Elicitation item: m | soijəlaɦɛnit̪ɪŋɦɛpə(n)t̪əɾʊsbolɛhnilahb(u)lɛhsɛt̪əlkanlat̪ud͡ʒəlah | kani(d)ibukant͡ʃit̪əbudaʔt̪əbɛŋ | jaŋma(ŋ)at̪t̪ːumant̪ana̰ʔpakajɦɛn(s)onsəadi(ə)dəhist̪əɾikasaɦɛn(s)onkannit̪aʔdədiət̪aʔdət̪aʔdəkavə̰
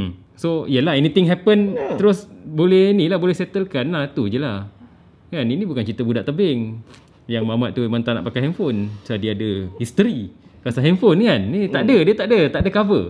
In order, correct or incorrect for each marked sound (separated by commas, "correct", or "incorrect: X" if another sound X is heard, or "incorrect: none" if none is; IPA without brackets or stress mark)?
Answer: correct, incorrect: o, incorrect: n, incorrect: m, incorrect: f, incorrect: a, incorrect: f